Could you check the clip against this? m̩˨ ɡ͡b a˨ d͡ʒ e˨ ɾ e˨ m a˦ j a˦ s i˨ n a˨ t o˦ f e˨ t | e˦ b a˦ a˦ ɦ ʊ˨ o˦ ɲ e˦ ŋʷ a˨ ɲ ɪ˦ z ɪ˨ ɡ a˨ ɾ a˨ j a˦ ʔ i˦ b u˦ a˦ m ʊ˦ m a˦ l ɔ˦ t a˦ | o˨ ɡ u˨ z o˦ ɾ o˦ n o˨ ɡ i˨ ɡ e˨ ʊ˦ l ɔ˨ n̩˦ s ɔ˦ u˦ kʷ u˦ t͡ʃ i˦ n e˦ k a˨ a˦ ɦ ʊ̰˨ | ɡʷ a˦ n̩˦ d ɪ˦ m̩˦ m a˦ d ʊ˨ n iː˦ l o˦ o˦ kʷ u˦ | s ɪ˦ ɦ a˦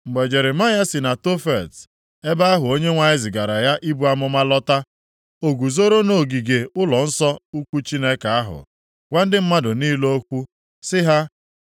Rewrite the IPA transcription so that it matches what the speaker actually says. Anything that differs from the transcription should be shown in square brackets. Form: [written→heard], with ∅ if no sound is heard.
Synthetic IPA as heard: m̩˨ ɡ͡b [a˨→e˨] d͡ʒ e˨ ɾ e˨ m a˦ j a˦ s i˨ n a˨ t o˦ f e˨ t | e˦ b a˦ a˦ ɦ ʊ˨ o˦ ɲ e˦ ŋʷ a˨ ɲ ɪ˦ z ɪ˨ ɡ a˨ ɾ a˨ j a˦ ʔ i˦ b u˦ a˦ m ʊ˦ m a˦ l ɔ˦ t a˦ | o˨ ɡ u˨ z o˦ ɾ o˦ n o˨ ɡ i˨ ɡ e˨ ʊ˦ l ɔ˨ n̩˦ s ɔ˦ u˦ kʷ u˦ t͡ʃ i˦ n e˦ k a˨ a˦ ɦ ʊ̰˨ | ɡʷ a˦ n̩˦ d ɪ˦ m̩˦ m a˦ d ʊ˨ n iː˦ l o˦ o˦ kʷ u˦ | s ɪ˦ ɦ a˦